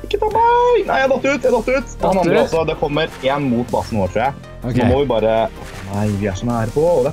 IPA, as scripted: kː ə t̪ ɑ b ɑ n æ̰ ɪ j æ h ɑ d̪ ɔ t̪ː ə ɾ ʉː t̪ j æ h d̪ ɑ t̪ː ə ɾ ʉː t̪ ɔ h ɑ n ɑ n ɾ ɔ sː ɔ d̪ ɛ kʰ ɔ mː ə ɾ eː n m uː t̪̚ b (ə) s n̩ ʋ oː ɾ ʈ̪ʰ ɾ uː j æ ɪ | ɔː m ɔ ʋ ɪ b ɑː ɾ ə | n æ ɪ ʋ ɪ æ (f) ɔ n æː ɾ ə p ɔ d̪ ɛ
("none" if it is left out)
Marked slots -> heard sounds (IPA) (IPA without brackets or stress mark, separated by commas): ɑ, ʂ